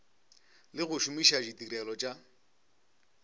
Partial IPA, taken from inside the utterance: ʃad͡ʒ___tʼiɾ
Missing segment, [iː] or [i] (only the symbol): i